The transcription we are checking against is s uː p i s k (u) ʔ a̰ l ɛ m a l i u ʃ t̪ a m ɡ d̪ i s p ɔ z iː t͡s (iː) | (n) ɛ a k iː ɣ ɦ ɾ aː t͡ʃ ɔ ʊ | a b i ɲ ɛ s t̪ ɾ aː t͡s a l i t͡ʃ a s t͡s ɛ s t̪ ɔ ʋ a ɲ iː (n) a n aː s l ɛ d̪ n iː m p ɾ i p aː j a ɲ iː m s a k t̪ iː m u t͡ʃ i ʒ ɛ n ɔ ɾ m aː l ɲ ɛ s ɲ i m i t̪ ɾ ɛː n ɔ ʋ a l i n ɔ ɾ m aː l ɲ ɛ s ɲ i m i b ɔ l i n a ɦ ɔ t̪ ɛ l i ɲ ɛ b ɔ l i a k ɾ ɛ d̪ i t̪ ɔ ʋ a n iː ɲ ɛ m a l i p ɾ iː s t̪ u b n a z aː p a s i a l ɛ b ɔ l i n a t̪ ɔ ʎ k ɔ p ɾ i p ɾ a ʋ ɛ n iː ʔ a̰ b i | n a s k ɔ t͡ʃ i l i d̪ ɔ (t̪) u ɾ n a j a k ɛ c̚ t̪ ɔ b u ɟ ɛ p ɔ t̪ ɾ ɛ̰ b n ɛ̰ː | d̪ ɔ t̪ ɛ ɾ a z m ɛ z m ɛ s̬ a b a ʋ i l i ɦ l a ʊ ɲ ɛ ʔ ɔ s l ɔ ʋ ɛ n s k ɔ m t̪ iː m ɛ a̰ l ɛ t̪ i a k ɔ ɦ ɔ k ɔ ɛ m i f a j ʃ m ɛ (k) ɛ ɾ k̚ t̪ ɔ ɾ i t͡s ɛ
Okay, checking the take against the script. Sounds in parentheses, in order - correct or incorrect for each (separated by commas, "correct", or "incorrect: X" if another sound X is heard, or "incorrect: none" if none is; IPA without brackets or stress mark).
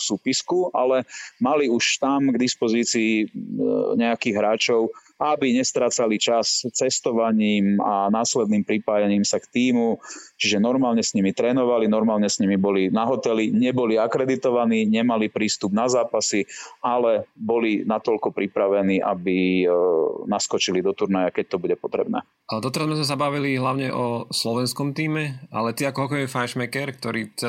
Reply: correct, correct, incorrect: ɲ, incorrect: m, correct, correct